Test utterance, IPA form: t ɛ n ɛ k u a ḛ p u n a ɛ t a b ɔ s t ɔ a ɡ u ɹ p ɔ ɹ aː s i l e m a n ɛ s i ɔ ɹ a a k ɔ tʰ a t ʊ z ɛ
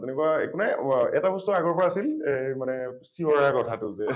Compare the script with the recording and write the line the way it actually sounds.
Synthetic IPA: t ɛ n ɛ k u a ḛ k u n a ɛ t a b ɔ s t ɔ a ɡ ɔ ɹ p ɔ ɹ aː s i l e m a n ɛ s i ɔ ɹ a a k ɔ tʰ a t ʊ z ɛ

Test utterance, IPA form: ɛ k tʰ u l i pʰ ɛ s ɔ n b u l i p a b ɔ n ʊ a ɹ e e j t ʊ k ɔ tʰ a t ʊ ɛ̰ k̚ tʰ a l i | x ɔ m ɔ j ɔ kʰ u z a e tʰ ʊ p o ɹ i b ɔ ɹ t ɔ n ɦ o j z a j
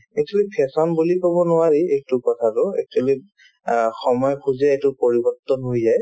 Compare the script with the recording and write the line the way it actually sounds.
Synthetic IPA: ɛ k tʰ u l i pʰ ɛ s ɔ n b u l i p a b ɔ n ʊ a ɹ i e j t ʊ k ɔ tʰ a t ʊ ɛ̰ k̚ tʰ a l i | x ɔ m ɔ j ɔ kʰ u z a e t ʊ p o ɹ i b ɔ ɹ t ɔ n ɦ o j z a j

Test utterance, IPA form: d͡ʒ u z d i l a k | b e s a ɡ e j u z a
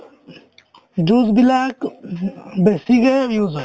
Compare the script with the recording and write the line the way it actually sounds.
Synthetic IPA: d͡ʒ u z b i l a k | b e s i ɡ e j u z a

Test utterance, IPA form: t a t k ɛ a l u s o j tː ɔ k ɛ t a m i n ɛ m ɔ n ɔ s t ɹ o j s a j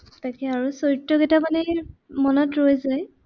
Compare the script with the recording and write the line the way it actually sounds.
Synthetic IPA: t a k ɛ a ɹ u s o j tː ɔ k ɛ t a m a n ɛ m ɔ n ɔ t ɹ o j z a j

